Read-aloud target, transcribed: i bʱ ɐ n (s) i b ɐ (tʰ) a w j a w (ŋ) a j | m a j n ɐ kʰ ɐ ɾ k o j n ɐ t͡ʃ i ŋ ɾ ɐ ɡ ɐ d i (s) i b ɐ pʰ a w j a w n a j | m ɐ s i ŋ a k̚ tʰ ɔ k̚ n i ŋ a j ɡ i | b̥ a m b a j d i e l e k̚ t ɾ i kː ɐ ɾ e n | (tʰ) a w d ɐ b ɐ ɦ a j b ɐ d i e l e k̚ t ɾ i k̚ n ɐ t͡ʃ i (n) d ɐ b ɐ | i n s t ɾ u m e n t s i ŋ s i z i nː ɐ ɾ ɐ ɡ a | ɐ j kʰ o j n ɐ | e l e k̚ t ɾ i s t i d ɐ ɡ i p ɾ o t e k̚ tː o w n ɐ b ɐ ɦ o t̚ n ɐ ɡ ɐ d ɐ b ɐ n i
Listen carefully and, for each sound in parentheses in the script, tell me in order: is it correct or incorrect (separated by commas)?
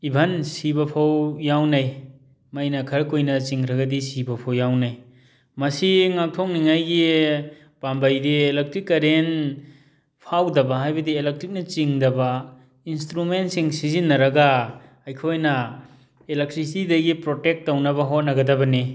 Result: correct, incorrect, incorrect, correct, incorrect, incorrect